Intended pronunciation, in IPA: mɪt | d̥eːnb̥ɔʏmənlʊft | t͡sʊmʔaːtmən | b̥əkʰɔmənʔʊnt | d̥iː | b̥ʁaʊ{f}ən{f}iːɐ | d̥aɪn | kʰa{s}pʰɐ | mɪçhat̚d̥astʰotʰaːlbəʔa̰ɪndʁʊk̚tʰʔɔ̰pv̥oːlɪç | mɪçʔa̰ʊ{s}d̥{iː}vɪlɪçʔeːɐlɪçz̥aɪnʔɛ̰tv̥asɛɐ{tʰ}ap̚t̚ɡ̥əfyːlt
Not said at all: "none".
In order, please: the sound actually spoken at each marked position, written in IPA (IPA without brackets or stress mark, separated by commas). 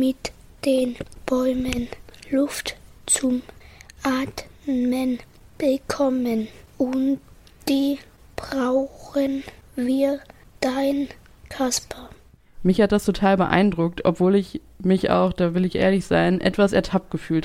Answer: x, v, s, x, aː, tʰ